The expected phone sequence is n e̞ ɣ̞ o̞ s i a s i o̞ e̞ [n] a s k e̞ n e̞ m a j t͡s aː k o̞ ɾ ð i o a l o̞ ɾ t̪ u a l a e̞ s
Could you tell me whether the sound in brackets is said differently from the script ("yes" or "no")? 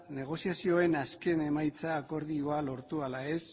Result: no